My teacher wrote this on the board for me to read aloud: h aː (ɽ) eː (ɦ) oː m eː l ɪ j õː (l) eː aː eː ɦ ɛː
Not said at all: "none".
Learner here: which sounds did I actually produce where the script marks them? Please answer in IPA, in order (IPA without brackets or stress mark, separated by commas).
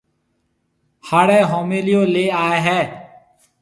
ɽ, ɦ, l